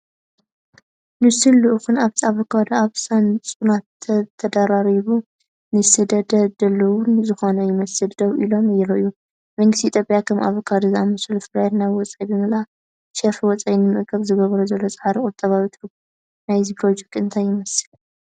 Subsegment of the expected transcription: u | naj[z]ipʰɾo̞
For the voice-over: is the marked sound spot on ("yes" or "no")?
yes